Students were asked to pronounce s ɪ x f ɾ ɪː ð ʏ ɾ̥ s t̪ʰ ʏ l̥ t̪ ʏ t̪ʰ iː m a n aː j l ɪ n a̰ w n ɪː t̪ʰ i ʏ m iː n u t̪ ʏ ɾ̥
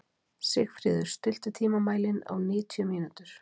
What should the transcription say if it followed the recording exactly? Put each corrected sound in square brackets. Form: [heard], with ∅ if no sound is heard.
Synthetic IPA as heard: s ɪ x f ɾ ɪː ð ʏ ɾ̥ s [t̪] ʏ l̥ t̪ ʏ t̪ʰ iː m a [m] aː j l ɪ n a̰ w n ɪː t̪ʰ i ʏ m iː n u t̪ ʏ ɾ̥